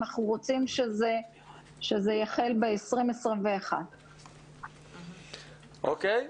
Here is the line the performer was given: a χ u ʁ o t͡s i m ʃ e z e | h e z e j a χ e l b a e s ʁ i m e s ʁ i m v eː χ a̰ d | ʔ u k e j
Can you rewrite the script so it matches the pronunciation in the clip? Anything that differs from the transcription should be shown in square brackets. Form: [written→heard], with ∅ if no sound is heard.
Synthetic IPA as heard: a χ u ʁ o t͡s i m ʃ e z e | [h→ʃ] e z e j a χ e l b [a→e] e s ʁ i m e s ʁ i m v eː χ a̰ d | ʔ [u→o] k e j